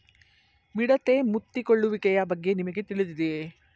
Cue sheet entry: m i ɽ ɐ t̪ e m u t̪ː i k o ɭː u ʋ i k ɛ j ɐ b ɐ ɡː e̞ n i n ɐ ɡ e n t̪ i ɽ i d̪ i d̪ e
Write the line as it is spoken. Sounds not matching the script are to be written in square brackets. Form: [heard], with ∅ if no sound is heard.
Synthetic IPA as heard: m i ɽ ɐ t̪ e m u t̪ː i k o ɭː u ʋ i k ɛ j ɐ b ɐ ɡː e̞ n i [m] ɐ ɡ e [∅] t̪ i [ɭ] i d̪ i d̪ e